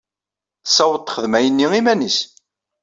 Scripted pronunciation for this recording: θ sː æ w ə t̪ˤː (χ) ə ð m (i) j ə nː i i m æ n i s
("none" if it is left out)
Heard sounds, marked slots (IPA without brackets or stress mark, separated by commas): χ, æ